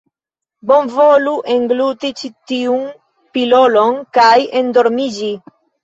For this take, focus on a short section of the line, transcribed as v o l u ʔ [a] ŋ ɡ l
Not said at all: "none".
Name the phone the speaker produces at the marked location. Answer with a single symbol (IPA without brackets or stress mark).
e